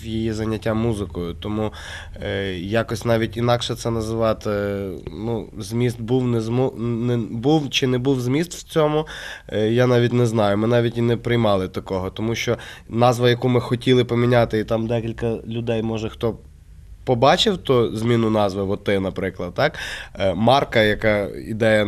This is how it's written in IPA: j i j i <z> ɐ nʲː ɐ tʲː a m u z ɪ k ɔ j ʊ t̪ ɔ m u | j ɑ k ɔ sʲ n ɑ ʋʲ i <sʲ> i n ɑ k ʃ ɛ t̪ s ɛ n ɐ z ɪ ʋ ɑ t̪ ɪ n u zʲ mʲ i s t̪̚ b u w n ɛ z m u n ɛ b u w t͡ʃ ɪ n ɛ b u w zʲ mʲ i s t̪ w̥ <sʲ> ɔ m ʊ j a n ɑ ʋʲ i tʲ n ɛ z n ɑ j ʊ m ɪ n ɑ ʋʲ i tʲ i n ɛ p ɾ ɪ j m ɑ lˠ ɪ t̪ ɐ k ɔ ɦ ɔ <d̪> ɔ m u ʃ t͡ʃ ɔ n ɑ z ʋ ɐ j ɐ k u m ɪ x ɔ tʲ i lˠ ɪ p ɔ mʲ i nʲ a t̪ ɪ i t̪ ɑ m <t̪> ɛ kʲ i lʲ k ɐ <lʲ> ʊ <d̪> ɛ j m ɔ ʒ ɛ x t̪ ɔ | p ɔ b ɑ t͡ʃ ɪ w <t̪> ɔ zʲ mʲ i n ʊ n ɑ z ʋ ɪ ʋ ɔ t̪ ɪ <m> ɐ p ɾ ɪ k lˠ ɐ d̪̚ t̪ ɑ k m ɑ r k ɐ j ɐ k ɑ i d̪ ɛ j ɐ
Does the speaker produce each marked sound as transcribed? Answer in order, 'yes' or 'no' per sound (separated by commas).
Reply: yes, no, no, no, no, yes, yes, yes, no